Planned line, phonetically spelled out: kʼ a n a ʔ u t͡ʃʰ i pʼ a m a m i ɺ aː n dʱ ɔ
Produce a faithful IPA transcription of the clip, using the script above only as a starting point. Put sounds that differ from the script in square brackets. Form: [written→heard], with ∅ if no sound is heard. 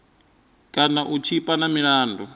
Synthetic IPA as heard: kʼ a n a ʔ u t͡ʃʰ i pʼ a [m→n] a m i ɺ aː n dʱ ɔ

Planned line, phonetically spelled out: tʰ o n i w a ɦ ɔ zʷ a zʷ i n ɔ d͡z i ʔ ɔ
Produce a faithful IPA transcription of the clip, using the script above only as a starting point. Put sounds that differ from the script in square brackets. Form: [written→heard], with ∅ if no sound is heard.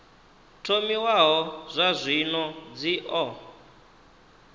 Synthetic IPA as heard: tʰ o [n→m] i w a ɦ ɔ zʷ a zʷ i n ɔ d͡z i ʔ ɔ

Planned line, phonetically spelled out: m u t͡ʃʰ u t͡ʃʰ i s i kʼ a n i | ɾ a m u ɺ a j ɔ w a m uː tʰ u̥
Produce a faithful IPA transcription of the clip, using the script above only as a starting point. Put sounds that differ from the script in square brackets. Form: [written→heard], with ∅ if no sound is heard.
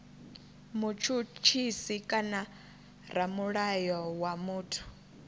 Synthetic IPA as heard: m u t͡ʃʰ u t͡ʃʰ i s i kʼ a n [i→a] | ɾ a m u ɺ a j ɔ w a m uː tʰ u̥

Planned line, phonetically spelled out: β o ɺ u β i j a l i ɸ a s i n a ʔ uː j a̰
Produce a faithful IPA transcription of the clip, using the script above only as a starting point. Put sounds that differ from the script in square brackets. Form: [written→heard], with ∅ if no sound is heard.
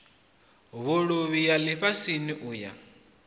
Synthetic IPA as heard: β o ɺ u β i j a l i ɸ a s i n [a→i] ʔ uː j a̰

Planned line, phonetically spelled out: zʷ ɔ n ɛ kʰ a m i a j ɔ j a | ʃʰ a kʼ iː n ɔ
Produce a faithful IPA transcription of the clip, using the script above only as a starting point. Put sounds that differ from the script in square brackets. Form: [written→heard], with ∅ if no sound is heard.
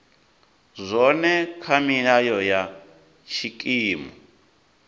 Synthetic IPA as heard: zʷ ɔ n ɛ kʰ a m i a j ɔ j a | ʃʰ [a→i] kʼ iː [n→m] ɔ

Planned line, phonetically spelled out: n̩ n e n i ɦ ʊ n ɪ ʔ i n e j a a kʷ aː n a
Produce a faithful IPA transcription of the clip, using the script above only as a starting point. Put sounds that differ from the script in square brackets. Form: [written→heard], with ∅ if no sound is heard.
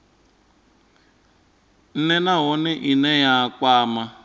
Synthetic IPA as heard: n̩ n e n [i→a] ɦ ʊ n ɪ ʔ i n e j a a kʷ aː [n→m] a

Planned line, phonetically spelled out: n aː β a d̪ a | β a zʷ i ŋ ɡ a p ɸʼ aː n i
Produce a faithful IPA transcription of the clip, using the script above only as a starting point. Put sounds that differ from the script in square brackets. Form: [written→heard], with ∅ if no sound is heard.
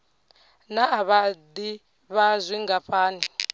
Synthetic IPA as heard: n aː β a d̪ [a→i] | β a zʷ i ŋ ɡ a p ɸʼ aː n i

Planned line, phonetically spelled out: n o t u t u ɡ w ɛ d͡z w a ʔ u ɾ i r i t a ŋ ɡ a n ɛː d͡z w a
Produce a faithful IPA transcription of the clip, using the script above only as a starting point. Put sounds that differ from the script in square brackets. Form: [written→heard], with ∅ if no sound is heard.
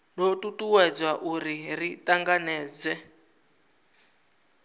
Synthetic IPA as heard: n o t u t u [ɡ→∅] w ɛ d͡z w a ʔ u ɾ i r i t a ŋ ɡ a n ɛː d͡z w [a→ɛ]

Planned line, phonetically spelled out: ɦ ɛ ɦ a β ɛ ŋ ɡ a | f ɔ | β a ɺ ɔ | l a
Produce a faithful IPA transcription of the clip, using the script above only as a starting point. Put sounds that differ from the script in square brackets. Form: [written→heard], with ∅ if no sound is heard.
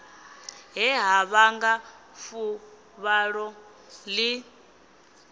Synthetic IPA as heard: ɦ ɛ ɦ a β [ɛ→a] ŋ ɡ a | f [ɔ→u] | β a ɺ ɔ | l [a→i]

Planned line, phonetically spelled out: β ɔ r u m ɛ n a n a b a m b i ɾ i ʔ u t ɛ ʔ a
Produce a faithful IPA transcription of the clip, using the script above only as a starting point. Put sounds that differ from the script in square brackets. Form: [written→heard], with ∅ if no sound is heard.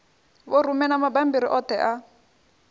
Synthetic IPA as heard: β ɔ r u m ɛ n a [n→m] a b a m b i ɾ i ʔ [u→ɔ] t ɛ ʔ a

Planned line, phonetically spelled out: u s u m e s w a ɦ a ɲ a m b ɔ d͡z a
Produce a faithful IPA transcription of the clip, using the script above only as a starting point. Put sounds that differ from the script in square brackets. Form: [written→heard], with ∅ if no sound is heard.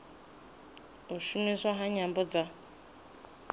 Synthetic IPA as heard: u [s→ʃ] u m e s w a ɦ a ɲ a m b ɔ d͡z a

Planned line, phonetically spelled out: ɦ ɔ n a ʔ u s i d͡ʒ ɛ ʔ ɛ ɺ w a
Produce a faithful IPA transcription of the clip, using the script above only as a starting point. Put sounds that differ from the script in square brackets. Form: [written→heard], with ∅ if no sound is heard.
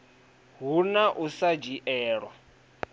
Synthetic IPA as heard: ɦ [ɔ→u] n a ʔ u s [i→a] d͡ʒ [ɛ→i] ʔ [ɛ→ɛː] ɺ w a

